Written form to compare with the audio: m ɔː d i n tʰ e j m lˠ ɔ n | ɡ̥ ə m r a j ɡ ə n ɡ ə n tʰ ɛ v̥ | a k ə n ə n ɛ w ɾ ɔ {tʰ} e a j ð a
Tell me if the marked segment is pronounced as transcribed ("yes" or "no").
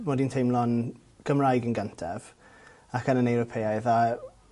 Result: no